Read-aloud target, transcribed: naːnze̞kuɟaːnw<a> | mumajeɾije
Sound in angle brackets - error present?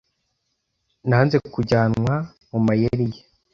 no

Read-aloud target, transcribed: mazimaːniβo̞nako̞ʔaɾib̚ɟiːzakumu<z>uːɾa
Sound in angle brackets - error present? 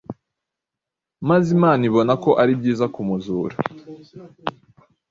no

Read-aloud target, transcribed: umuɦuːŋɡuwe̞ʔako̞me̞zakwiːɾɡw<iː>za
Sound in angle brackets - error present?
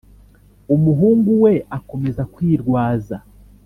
yes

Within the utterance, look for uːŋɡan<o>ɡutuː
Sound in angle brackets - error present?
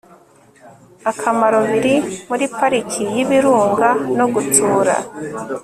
no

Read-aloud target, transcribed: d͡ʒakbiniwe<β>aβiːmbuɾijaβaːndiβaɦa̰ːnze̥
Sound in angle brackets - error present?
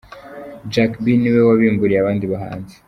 yes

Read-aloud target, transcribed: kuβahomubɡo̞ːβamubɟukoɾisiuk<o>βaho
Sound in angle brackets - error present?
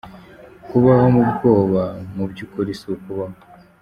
yes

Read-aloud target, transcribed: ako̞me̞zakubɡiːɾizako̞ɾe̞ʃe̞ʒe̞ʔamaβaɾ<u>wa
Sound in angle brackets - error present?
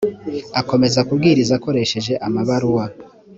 no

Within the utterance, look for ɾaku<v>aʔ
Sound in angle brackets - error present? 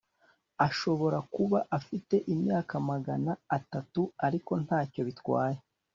yes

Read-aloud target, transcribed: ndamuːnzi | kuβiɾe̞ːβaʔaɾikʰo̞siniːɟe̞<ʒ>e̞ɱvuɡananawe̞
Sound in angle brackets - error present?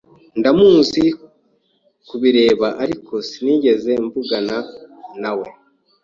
yes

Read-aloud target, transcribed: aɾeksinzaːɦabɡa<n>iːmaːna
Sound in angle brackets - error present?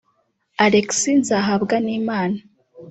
no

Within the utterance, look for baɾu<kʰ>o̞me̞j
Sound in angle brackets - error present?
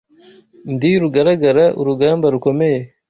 yes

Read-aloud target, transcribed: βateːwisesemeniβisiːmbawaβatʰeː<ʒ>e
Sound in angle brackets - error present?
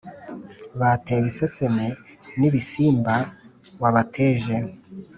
no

